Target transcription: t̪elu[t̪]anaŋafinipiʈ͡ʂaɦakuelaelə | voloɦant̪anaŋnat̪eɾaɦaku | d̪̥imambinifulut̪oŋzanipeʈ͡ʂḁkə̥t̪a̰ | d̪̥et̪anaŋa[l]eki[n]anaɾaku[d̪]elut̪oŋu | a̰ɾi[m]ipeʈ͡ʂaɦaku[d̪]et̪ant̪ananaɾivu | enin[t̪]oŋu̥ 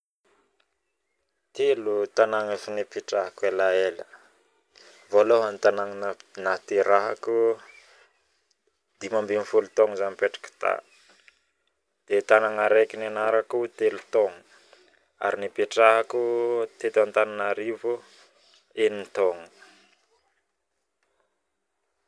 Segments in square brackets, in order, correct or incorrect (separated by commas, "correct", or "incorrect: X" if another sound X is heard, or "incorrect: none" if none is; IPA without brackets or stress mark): correct, incorrect: ɾ, correct, incorrect: t̪, incorrect: n, incorrect: t̪, correct